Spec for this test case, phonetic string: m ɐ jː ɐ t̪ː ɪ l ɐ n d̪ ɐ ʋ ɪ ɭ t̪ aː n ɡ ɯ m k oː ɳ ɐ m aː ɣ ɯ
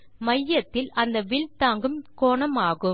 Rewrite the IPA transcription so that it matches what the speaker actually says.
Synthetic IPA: m ɐ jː ɐ t̪ː ɪ l ɐ n d̪ ɐ ʋ ɪ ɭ t̪ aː ŋ ɡ ɯ m k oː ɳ ɐ m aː ɣ ɯ